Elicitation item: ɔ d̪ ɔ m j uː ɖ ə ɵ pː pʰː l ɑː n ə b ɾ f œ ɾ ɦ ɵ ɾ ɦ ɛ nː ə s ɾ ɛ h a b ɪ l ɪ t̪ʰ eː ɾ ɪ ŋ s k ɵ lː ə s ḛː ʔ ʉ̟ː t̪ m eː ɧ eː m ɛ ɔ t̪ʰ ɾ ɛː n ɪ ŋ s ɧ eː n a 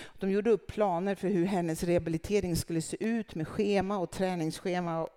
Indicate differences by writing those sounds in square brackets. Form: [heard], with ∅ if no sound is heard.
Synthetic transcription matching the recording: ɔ d̪ ɔ m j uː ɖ ə ɵ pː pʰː l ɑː n ə [∅] ɾ f œ ɾ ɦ ɵ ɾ ɦ ɛ nː ə s ɾ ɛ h a b ɪ l ɪ t̪ʰ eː ɾ ɪ ŋ s k ɵ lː ə s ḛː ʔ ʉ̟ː t̪ m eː ɧ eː m [a] ɔ t̪ʰ ɾ ɛː n ɪ ŋ s ɧ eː [m] a